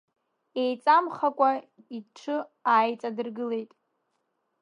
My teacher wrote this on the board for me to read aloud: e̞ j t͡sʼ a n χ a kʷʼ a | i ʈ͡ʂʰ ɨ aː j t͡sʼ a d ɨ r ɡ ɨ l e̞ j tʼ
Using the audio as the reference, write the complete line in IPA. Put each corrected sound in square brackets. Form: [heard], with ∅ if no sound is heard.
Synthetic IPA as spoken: e̞ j t͡sʼ a [m] χ a kʷʼ a | i ʈ͡ʂʰ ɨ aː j t͡sʼ a d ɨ r ɡ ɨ l e̞ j tʼ